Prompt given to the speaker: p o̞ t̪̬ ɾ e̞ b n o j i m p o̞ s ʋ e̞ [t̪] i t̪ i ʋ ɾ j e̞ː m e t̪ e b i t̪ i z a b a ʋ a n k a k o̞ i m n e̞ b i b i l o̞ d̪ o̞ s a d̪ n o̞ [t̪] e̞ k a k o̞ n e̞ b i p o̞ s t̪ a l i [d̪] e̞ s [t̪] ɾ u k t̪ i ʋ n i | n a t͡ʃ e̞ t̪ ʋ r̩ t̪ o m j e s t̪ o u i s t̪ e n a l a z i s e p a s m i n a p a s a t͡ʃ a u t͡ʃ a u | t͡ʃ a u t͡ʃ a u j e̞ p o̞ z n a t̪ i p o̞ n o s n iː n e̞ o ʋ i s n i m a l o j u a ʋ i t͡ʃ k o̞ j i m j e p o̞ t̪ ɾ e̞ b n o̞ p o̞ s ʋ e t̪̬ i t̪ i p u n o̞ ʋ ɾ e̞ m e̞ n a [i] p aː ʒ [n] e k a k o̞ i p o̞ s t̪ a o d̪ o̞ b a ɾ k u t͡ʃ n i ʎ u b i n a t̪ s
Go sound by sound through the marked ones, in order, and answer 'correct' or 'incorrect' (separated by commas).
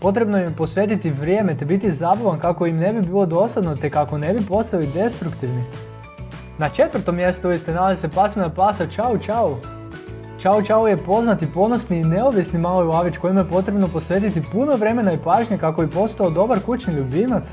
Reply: correct, correct, correct, correct, correct, incorrect